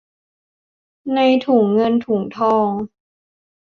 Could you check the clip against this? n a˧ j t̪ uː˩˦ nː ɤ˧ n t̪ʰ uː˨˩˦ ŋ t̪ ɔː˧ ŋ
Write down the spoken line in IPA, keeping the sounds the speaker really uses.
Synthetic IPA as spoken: n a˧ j t̪ʰ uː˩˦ ŋː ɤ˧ n t̪ʰ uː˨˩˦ ŋ t̪ʰ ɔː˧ ŋ